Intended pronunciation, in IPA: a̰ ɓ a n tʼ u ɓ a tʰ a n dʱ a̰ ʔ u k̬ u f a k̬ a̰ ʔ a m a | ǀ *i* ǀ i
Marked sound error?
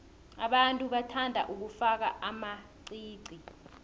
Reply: yes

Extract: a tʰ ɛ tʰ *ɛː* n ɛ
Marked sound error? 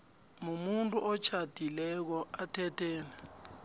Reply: no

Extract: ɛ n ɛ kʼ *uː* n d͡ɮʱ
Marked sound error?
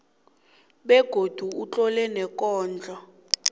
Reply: yes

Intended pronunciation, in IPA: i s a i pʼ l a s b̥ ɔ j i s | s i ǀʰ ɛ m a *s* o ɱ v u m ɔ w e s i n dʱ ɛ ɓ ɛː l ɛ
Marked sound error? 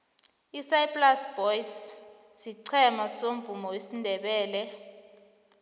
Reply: no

